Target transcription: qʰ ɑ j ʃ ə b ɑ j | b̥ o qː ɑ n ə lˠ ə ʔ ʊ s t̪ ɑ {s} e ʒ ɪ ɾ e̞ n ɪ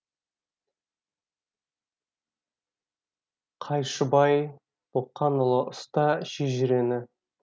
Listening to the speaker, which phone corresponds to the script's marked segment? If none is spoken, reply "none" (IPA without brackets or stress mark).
ʃ